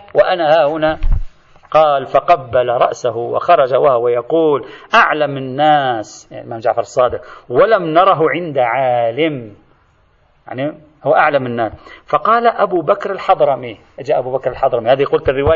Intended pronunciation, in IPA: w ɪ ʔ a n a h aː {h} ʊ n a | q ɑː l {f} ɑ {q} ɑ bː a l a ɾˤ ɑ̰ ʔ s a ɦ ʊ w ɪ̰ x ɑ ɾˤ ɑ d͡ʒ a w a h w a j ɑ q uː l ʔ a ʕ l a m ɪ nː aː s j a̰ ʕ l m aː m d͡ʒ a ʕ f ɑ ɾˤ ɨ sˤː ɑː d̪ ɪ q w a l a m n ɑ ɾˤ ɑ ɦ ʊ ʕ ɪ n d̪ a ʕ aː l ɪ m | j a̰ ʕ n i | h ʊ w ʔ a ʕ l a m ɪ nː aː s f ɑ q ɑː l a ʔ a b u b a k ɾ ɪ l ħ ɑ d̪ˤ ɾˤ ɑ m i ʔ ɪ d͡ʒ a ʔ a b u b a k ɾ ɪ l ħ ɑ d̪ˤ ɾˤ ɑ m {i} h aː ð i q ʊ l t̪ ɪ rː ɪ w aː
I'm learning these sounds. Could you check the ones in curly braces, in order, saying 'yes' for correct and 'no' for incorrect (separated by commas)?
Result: yes, yes, yes, yes